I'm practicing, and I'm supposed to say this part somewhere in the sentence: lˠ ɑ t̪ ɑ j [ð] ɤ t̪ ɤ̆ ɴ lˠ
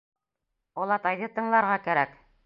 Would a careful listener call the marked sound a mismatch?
no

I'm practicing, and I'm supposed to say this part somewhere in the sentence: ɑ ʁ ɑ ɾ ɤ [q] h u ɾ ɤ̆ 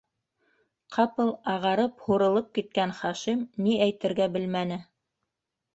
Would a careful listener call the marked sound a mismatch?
yes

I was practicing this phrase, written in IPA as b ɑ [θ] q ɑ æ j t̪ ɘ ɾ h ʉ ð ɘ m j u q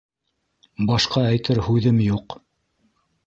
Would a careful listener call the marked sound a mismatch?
yes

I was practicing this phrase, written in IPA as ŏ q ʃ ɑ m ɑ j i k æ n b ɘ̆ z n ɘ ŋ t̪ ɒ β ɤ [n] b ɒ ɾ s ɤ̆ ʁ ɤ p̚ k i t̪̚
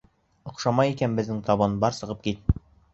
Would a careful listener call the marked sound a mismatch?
no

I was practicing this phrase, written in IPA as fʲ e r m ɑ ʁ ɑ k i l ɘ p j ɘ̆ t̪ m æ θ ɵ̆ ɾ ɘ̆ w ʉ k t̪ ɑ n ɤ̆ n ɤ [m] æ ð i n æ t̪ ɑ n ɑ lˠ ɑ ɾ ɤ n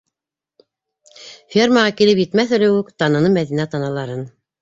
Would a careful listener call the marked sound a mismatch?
no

